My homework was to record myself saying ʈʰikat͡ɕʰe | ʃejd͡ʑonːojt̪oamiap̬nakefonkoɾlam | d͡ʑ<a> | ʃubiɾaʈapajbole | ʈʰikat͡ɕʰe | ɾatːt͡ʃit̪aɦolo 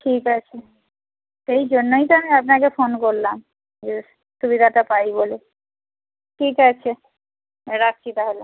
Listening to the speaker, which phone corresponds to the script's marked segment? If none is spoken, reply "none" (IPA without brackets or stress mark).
e